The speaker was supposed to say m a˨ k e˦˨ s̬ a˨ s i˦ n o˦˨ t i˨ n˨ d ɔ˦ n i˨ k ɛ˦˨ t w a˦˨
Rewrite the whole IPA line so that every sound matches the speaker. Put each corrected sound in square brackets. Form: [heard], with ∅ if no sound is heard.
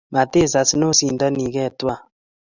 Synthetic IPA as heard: m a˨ [t] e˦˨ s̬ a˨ s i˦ n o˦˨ [s] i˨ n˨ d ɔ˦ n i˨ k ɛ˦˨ t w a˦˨